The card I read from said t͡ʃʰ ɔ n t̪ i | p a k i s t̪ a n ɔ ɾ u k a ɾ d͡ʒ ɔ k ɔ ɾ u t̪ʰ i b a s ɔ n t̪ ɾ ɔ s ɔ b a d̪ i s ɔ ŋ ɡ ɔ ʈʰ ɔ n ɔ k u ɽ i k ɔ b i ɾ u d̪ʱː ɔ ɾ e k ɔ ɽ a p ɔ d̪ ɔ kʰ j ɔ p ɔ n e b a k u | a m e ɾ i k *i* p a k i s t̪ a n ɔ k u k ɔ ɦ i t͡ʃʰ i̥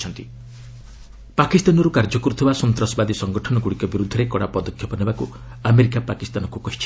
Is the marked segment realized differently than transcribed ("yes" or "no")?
yes